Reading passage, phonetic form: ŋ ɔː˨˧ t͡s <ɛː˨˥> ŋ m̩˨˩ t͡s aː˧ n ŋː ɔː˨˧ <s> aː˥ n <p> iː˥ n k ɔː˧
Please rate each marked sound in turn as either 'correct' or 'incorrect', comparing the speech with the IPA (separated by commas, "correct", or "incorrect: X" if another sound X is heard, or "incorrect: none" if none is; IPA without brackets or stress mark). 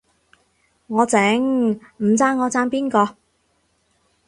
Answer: correct, incorrect: t͡s, correct